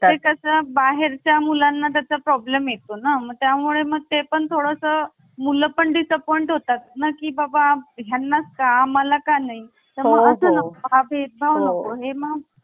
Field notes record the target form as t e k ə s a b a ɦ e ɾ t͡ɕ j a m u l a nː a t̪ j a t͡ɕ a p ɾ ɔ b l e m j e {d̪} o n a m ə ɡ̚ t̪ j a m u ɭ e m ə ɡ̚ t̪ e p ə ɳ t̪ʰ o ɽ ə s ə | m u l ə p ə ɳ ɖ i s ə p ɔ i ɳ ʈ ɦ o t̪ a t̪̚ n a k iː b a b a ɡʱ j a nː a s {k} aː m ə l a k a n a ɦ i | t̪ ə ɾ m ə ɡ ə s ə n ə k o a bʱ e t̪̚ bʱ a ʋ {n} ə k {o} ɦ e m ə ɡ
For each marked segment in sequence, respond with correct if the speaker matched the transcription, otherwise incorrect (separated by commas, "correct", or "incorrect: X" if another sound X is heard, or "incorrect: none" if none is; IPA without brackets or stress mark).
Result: incorrect: t̪, correct, correct, correct